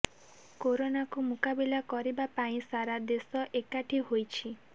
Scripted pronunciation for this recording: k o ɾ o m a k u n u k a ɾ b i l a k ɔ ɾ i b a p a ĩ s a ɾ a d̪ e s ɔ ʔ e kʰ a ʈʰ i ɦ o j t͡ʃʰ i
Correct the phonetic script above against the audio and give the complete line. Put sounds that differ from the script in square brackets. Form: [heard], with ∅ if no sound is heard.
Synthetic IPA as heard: k o ɾ o [n] a k u [m] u k a [∅] b i l a k ɔ ɾ i b a p a ĩ s a ɾ a d̪ e s ɔ ʔ e [k] a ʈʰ i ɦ o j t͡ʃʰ i

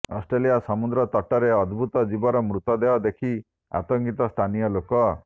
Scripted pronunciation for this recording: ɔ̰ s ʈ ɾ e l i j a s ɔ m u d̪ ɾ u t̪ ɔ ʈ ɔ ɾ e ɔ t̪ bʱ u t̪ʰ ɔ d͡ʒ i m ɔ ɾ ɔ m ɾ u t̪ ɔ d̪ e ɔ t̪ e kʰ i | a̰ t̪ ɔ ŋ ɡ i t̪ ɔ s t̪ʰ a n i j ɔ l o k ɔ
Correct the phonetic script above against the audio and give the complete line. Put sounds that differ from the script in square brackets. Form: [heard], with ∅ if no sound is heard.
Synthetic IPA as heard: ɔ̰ s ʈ ɾ e l i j a s ɔ m u d̪ ɾ [ɔ] t̪ ɔ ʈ ɔ ɾ e ɔ [d̪] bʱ u [t̪] ɔ d͡ʒ i [b] ɔ ɾ ɔ m ɾ u t̪ ɔ d̪ e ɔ [d̪] e kʰ i | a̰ t̪ ɔ ŋ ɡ i t̪ ɔ s t̪ʰ a n i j ɔ l o k ɔ

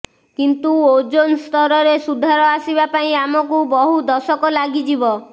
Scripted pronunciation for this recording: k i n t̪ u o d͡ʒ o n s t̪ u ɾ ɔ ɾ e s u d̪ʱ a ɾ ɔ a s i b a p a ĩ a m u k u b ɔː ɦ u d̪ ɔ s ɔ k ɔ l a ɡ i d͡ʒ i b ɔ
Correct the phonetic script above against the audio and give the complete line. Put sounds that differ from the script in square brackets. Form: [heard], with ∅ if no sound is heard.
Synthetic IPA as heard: k i n t̪ u o d͡ʒ o n s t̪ [ɔ] ɾ ɔ ɾ e s u d̪ʱ a ɾ ɔ a s i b a p a ĩ a m [ɔ] k u b [ɔ] ɦ u d̪ ɔ s ɔ k ɔ l a ɡ i d͡ʒ i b ɔ

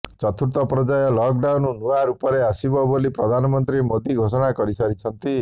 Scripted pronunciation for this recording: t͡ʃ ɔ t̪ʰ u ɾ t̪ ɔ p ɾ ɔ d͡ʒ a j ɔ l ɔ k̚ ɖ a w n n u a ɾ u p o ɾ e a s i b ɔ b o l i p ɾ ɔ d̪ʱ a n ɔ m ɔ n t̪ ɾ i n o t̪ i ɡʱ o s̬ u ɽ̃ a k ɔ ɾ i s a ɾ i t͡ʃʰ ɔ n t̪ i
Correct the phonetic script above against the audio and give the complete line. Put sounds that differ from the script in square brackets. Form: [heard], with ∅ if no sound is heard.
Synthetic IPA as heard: t͡ʃ ɔ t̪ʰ u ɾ t̪ ɔ p ɾ ɔ d͡ʒ a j ɔ l ɔ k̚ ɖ a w n n u a ɾ u p [ɔ] ɾ e a s i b ɔ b o l i p ɾ ɔ d̪ʱ a n ɔ m ɔ n t̪ ɾ i [m] o [d̪] i ɡʱ o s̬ [ɔ] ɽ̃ a k ɔ ɾ i s a ɾ i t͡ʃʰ ɔ n t̪ i

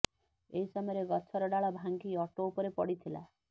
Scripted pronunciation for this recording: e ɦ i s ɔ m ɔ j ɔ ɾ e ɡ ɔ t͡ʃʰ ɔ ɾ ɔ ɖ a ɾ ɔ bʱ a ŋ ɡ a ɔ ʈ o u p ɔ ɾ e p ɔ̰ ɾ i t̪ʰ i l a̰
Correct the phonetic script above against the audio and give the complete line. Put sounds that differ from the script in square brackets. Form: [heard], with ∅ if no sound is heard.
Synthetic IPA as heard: e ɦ i s ɔ m ɔ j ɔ ɾ e ɡ ɔ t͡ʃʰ ɔ ɾ ɔ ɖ a [ɭ] ɔ bʱ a ŋ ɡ [i] ɔ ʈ o u p ɔ ɾ e p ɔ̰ [ɽ] i t̪ʰ i l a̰

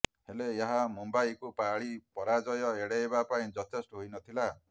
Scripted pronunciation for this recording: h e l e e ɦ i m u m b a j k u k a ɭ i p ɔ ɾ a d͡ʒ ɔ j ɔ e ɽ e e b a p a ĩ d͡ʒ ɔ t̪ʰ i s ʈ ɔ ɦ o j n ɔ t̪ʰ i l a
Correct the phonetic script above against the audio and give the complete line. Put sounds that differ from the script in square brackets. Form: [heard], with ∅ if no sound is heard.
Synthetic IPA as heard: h e l e e ɦ [a] m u m b a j k u [p] a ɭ i p ɔ ɾ a d͡ʒ ɔ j ɔ e ɽ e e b a p a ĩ d͡ʒ ɔ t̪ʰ [e] s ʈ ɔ ɦ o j n ɔ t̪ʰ i l a

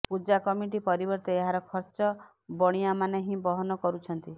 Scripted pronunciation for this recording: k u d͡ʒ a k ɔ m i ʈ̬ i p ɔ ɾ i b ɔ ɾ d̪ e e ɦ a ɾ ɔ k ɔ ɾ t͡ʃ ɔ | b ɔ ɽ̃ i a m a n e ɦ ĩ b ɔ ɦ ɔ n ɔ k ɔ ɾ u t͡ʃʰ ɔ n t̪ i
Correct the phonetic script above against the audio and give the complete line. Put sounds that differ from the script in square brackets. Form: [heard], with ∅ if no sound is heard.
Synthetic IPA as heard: [p] u d͡ʒ a k ɔ m i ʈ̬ i p ɔ ɾ i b ɔ ɾ [t̪] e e ɦ a ɾ ɔ [kʰ] ɔ ɾ t͡ʃ ɔ | b ɔ ɽ̃ i a m a n e ɦ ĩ b ɔ ɦ ɔ n ɔ k ɔ ɾ u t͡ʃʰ ɔ n t̪ i

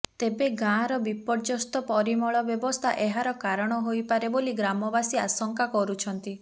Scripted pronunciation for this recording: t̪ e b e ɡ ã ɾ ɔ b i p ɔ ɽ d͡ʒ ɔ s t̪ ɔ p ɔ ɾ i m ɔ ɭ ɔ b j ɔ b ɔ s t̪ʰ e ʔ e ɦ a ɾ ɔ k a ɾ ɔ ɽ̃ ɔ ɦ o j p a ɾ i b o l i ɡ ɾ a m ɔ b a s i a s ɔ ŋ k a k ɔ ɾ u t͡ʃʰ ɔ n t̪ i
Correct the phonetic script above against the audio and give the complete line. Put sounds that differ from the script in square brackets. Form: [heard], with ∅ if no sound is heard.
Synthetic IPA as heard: t̪ e b e ɡ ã ɾ ɔ b i p ɔ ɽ d͡ʒ ɔ s t̪ ɔ p ɔ ɾ i m ɔ ɭ ɔ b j ɔ b ɔ s t̪ʰ [a] ʔ e ɦ a ɾ ɔ k a ɾ ɔ ɽ̃ ɔ ɦ o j p a ɾ [e] b o l i ɡ ɾ a m ɔ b a s i a s ɔ ŋ k a k ɔ ɾ u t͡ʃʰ ɔ n t̪ i

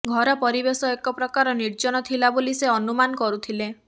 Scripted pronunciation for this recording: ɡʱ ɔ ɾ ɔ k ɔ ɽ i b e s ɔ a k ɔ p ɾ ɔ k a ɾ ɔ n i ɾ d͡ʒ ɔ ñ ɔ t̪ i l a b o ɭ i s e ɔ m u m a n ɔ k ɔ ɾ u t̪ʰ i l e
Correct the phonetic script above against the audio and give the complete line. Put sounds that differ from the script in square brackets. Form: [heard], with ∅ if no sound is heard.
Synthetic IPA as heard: ɡʱ ɔ ɾ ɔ [p] ɔ [ɾ] i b e s ɔ [e] k ɔ p ɾ ɔ k a ɾ ɔ n i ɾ d͡ʒ ɔ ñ ɔ [t̪ʰ] i l a b o [l] i s e ɔ [n] u m a n ɔ k ɔ ɾ u t̪ʰ i l e

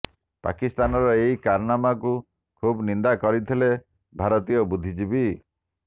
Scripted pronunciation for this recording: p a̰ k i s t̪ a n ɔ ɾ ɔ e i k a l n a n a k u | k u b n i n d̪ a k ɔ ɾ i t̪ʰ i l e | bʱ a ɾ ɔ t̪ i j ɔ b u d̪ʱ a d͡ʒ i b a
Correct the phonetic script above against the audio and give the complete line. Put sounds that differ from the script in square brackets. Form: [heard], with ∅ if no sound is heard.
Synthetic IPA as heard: p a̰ k i s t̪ a n ɔ ɾ ɔ e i k a [ɾ] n a [m] a k u | [kʰ] u b n i n d̪ a k ɔ ɾ i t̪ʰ i l e | bʱ a ɾ ɔ t̪ i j ɔ b u d̪ʱ [i] d͡ʒ i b [i]

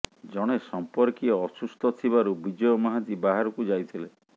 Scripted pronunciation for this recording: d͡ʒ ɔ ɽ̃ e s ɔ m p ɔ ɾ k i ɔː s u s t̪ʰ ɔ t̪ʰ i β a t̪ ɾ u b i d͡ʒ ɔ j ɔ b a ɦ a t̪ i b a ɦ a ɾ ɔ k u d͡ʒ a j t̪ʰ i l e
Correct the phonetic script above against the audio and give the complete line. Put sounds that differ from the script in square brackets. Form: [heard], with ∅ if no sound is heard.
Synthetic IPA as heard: d͡ʒ ɔ ɽ̃ e s ɔ m p ɔ ɾ k i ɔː s u s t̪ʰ ɔ t̪ʰ i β a [∅] ɾ u b i d͡ʒ ɔ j ɔ [m] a ɦ a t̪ i b a ɦ a ɾ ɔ k u d͡ʒ a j t̪ʰ i l e

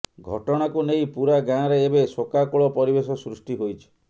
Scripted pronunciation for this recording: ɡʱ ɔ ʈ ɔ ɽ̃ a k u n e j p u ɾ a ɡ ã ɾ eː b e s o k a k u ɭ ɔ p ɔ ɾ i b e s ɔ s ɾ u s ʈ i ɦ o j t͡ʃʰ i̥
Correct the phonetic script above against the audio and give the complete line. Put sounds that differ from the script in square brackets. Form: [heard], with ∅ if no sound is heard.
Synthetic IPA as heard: ɡʱ ɔ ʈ ɔ ɽ̃ a k u n e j p u ɾ a ɡ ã ɾ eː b e s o k a k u ɭ ɔ p ɔ ɾ i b e s ɔ s ɾ u s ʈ i ɦ o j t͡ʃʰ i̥

